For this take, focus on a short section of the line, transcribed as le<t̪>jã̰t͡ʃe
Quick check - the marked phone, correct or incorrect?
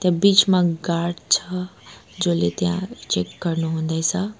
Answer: correct